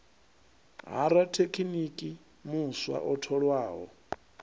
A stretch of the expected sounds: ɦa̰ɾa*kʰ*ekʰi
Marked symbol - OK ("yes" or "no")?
no